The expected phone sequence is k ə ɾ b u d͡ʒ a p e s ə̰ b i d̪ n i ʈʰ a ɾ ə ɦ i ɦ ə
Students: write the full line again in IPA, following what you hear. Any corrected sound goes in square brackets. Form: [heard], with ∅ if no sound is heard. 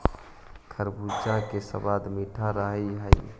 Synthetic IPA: [kʰ] ə ɾ b u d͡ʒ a [k] e s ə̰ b [a] d̪ [m] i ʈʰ a ɾ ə ɦ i ɦ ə